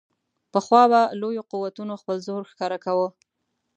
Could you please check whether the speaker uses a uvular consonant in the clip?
yes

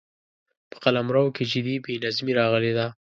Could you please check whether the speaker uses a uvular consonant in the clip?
yes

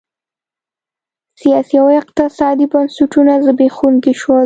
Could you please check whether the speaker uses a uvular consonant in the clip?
yes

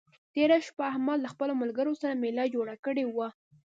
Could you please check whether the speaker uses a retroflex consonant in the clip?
yes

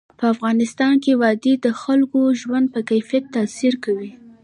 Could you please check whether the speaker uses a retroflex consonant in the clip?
no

